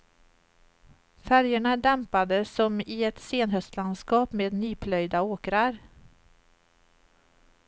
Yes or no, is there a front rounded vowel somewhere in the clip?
yes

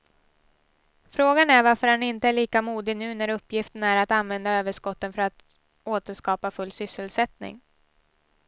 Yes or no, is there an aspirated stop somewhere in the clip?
no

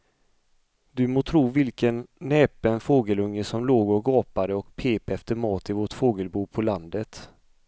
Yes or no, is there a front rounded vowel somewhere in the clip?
no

